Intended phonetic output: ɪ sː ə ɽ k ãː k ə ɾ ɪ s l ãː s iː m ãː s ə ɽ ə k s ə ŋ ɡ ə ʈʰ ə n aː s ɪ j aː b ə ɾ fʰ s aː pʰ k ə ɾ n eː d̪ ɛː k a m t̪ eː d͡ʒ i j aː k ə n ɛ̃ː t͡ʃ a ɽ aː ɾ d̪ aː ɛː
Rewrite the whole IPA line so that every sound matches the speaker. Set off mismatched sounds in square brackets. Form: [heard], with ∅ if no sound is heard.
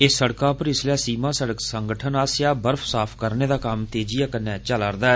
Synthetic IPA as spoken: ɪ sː ə ɽ k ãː [p] ə ɾ ɪ s l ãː s iː m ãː s ə ɽ ə k s ə ŋ ɡ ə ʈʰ ə n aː s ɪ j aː b ə ɾ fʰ s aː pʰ k ə ɾ n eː d̪ [aː] k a m t̪ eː d͡ʒ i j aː k ə n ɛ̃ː t͡ʃ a [l] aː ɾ d̪ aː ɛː